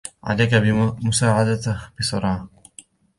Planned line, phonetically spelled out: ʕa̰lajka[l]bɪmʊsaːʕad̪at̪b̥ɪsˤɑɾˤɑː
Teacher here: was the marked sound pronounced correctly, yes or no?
no